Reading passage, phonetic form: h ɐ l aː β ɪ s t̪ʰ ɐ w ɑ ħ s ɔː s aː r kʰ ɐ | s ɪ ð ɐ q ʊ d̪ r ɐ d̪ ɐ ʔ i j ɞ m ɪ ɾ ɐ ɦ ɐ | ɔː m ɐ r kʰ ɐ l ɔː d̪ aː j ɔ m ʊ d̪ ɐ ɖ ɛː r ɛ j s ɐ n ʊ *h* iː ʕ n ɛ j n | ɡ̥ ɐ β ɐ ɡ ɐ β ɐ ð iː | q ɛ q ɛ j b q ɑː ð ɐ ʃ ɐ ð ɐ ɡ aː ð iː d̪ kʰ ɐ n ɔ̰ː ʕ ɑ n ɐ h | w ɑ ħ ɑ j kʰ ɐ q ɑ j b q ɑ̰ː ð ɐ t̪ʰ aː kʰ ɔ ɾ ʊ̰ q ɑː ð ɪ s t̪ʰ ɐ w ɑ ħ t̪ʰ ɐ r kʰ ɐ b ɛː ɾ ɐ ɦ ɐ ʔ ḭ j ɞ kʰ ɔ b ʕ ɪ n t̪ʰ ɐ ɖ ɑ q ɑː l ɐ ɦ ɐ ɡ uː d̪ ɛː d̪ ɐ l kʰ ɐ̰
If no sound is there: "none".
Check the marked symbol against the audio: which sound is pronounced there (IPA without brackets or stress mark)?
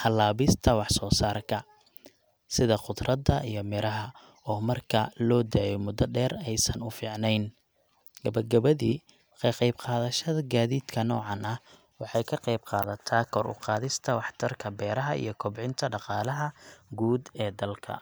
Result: f